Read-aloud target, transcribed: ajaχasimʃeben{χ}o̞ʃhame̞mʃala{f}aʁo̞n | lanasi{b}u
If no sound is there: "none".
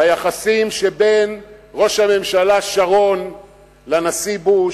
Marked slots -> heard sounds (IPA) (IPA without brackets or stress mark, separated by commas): ʁ, ʃ, b